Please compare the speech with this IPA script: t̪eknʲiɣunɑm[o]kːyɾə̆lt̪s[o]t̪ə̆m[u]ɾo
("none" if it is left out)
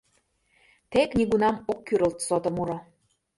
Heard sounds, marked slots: o, o, u

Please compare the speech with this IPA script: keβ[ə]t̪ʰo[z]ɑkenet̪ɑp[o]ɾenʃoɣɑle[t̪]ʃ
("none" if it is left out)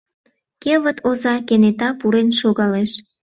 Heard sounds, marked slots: ə, z, u, none

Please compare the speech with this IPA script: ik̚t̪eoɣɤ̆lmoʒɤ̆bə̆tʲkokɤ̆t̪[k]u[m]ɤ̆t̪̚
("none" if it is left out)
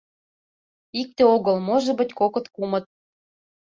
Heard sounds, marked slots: k, m

